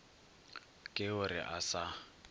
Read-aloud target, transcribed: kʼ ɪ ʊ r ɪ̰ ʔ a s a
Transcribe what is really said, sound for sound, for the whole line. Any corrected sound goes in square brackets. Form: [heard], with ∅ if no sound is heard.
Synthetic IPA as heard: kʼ ɪ ʊ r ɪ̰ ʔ a s a